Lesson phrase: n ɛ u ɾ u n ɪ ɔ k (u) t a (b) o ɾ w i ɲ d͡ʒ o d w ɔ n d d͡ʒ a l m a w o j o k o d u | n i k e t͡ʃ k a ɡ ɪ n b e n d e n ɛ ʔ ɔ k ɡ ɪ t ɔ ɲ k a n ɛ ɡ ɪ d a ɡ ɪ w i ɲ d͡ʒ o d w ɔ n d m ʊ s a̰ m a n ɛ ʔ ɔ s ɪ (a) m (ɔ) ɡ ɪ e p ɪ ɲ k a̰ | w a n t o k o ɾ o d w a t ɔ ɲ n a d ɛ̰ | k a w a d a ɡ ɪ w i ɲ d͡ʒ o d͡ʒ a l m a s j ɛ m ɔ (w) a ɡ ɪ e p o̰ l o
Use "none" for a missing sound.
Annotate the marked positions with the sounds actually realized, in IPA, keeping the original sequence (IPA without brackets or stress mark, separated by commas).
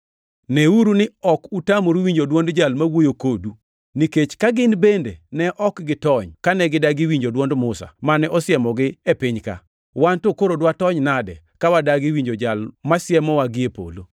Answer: u, m, ɛ, ɔ, w